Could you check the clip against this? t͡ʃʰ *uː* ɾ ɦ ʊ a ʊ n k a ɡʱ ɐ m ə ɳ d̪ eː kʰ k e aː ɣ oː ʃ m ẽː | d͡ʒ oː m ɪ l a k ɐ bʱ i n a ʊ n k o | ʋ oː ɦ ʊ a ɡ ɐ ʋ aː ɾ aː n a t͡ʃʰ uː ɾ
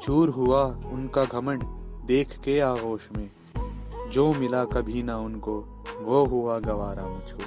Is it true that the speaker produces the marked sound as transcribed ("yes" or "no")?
yes